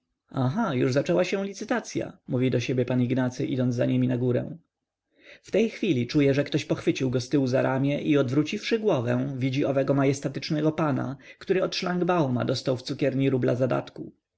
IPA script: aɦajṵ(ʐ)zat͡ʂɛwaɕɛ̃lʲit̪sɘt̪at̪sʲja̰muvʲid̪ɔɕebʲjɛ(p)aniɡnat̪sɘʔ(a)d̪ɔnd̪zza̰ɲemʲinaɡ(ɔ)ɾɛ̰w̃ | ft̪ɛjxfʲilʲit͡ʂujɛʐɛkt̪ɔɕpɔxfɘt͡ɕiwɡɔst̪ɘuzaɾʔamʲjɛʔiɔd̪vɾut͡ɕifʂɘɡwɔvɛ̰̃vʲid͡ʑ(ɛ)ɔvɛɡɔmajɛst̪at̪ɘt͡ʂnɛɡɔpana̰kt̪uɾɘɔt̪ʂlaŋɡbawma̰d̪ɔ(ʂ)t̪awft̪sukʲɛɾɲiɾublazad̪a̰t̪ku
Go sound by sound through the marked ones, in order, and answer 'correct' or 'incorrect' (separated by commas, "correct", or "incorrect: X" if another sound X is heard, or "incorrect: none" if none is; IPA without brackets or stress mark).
correct, correct, incorrect: i, incorrect: u, incorrect: i, incorrect: s